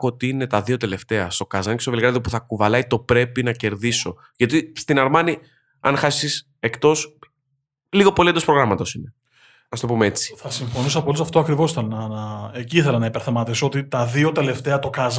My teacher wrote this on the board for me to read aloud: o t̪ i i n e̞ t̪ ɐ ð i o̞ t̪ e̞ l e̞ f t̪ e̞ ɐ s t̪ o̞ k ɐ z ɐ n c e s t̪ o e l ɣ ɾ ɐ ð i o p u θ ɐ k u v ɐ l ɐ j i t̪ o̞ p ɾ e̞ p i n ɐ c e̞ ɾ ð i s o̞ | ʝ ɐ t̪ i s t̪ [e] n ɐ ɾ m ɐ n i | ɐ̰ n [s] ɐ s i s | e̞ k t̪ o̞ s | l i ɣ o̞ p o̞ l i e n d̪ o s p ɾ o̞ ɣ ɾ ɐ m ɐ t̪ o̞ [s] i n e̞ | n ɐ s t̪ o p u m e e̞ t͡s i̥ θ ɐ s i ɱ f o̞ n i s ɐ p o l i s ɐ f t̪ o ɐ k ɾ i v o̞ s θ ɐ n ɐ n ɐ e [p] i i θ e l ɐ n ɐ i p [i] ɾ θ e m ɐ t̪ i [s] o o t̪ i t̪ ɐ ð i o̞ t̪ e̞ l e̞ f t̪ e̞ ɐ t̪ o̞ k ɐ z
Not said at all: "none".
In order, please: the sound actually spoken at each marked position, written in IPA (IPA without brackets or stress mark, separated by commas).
i, x, s, c, e, s